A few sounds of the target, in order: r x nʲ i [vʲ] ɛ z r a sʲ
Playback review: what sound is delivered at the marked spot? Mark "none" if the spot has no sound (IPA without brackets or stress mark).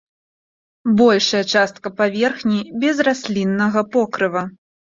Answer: bʲ